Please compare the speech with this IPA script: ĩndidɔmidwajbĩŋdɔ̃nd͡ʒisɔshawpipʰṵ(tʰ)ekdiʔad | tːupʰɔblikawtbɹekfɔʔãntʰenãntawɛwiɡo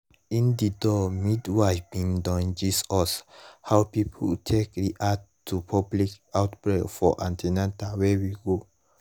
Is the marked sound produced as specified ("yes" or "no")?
yes